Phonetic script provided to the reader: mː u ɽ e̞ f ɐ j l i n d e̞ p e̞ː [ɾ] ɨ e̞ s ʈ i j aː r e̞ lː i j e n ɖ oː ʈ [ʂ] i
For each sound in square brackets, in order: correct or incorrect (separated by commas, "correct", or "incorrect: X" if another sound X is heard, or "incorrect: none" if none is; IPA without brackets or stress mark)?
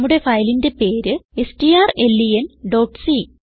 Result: correct, incorrect: s